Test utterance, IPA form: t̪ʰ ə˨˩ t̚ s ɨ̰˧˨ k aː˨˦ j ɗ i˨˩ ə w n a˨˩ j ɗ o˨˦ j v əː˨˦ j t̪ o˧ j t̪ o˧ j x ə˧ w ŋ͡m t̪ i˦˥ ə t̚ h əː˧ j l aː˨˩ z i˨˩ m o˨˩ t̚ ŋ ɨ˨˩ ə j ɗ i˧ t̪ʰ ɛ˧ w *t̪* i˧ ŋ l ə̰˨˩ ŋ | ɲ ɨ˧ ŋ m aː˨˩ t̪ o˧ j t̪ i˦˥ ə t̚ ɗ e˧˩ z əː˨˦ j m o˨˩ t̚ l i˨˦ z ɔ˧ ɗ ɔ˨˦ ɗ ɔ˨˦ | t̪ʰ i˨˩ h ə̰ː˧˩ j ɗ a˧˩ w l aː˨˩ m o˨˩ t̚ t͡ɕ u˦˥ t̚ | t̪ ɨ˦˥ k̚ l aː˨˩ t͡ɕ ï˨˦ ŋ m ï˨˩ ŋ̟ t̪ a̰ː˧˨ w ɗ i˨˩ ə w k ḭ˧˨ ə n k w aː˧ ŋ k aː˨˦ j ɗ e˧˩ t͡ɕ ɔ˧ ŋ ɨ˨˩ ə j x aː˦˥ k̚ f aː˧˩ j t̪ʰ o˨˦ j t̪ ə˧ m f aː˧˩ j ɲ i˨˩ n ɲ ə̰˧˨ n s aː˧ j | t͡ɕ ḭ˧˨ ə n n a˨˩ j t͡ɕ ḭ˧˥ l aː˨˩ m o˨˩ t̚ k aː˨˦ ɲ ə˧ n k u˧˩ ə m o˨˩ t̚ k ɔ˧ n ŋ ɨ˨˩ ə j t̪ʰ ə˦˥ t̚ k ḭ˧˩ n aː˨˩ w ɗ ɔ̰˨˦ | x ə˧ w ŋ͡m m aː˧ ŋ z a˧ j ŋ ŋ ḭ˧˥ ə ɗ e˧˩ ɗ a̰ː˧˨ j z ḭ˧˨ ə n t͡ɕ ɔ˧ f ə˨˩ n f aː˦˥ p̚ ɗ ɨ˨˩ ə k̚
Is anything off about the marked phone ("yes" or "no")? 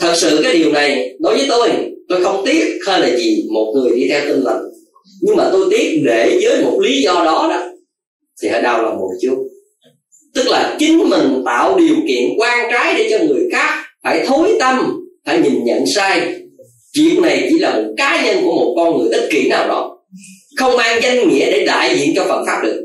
no